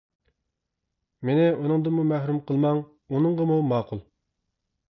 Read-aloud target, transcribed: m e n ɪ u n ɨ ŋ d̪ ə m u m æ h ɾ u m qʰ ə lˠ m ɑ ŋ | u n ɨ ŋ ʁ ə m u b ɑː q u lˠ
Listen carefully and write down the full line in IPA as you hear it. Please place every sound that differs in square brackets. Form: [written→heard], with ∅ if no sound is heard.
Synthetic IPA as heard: m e n ɪ u n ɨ ŋ d̪ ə m u m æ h ɾ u m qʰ ə lˠ m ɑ ŋ | u n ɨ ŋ ʁ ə m u [b→m] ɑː q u lˠ